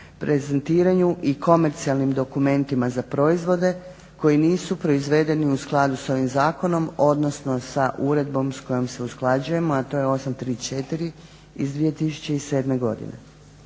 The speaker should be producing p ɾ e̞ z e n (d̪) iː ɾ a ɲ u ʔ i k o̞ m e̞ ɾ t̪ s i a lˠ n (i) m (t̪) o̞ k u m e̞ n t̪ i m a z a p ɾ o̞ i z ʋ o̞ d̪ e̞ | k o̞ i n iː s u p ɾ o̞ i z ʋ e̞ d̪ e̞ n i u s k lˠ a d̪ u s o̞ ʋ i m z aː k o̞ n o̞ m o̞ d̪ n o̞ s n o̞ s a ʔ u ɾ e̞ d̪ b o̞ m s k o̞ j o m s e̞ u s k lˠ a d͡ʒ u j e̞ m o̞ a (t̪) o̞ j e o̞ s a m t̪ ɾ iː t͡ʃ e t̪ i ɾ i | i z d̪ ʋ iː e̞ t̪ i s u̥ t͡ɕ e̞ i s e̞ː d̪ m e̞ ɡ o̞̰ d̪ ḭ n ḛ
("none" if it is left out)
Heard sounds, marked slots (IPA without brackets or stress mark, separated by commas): t̪, i, d̪, t̪